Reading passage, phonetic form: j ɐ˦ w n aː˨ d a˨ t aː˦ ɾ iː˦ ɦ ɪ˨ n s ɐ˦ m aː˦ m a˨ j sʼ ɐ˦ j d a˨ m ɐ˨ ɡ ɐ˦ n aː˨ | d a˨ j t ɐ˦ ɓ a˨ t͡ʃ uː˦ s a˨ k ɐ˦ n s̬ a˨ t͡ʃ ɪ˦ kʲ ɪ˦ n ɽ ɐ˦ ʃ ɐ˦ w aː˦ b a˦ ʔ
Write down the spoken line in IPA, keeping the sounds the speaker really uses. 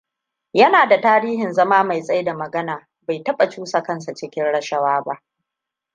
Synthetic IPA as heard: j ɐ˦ n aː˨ d a˨ t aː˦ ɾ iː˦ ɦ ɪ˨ n z ɐ˦ m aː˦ m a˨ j sʼ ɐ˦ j d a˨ m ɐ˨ ɡ ɐ˦ n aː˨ | b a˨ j t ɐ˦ ɓ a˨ t͡ʃ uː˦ s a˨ k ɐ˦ n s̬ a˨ t͡ʃ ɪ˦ kʲ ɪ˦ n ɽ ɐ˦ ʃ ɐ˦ w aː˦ b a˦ ʔ